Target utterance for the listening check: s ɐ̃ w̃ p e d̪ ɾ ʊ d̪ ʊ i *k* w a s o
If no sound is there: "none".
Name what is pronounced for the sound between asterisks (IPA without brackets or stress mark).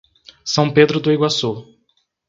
ɡ